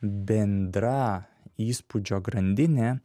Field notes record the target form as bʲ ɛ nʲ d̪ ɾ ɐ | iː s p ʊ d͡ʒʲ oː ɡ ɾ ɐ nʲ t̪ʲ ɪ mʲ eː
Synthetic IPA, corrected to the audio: bʲ ɛ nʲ d̪ ɾ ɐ | iː s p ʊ d͡ʒʲ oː ɡ ɾ ɐ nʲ d̪ʲ ɪ nʲ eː